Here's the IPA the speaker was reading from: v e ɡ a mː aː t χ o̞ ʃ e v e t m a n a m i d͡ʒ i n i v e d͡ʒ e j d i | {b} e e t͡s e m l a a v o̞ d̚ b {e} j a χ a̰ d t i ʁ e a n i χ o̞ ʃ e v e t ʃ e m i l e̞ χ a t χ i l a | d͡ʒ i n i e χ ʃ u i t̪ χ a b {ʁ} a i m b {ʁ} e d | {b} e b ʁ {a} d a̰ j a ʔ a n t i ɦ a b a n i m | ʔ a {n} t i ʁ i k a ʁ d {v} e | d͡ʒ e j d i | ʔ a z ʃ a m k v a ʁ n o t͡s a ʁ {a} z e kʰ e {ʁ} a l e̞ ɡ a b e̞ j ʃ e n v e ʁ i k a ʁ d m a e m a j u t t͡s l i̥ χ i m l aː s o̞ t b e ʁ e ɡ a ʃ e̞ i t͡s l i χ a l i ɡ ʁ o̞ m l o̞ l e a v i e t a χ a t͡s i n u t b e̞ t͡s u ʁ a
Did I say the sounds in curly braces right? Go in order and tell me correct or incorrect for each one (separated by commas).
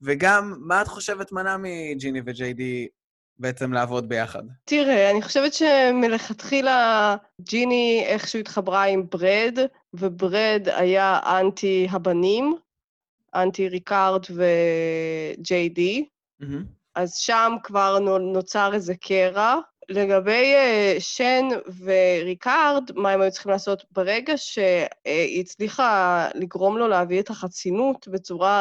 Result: correct, correct, correct, correct, incorrect, incorrect, correct, correct, incorrect, correct